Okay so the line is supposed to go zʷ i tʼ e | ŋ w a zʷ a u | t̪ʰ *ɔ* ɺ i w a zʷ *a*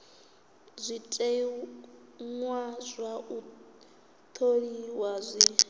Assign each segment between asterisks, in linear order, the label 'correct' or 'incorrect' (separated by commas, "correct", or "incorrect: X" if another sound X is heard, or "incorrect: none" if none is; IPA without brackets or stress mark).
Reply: incorrect: o, incorrect: i